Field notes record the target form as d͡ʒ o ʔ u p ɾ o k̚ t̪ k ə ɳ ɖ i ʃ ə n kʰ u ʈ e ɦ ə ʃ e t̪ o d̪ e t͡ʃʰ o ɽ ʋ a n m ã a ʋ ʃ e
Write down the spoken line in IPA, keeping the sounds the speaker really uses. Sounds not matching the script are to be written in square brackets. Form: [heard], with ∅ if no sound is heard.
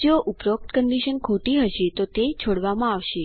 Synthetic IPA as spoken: d͡ʒ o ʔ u p ɾ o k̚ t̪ k ə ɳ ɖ i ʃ ə n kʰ u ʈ [i] ɦ ə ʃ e t̪ o [t̪] e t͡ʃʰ o ɽ ʋ a [∅] m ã a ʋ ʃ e